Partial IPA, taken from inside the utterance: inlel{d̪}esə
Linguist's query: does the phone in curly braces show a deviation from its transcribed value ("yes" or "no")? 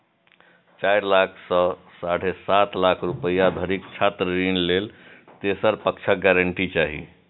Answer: yes